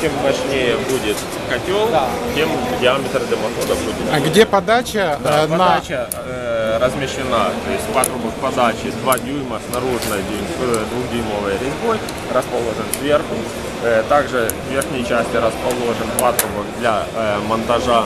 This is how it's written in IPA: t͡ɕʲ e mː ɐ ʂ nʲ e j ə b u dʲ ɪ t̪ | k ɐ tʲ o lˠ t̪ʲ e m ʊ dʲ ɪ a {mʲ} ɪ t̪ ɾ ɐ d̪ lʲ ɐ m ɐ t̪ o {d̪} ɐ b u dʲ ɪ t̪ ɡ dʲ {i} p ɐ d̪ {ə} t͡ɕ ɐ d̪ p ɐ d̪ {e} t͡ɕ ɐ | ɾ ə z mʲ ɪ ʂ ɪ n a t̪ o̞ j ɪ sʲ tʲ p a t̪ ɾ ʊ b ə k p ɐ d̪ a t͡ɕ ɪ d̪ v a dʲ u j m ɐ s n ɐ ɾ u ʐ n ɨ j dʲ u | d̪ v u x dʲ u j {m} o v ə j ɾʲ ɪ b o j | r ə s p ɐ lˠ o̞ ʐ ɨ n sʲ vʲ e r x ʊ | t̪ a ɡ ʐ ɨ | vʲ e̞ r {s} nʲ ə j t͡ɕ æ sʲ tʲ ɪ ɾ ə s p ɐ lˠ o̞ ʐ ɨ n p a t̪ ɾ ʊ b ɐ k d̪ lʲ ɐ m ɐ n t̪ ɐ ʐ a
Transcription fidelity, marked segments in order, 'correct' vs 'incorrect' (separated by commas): correct, correct, incorrect, incorrect, incorrect, correct, incorrect